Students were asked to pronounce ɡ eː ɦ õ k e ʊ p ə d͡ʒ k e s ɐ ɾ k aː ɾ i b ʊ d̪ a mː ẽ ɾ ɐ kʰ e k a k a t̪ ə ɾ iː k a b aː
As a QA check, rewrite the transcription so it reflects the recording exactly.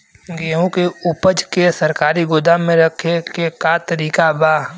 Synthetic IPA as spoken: ɡ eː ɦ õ k e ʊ p ə d͡ʒ k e s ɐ ɾ k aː ɾ i ɡ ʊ d̪ a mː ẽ ɾ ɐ kʰ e k e k a t̪ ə ɾ iː k a b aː